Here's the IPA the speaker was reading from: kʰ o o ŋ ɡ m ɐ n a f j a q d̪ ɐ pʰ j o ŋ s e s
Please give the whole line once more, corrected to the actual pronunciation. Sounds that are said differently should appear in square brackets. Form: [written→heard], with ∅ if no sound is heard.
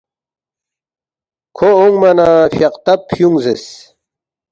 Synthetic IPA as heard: kʰ o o ŋ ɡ m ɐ n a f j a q [d̪→t̪] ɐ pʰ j [o→u] ŋ [s→z] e s